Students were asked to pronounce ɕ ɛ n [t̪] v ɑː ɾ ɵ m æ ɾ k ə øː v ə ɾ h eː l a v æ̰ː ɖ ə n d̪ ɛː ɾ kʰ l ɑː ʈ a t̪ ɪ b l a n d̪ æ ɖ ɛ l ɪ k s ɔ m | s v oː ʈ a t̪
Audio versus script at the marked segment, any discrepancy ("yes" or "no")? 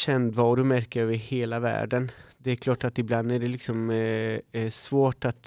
yes